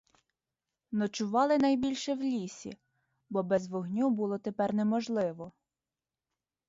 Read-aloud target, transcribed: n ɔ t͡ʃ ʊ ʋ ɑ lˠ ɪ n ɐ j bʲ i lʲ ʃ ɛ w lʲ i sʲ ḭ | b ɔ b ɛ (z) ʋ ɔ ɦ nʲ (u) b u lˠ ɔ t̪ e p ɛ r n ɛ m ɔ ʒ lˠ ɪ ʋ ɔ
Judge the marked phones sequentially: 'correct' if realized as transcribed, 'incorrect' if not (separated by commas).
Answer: correct, correct